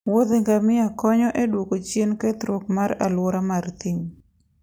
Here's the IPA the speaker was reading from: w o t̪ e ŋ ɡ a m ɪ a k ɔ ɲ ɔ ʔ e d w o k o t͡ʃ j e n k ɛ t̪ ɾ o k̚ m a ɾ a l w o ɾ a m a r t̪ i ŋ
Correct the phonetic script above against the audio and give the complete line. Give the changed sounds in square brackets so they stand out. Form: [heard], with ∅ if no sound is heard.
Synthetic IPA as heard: w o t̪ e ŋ ɡ a m ɪ a k ɔ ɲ ɔ ʔ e d w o k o t͡ʃ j e n k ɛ t̪ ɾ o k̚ m a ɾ a l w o ɾ a m a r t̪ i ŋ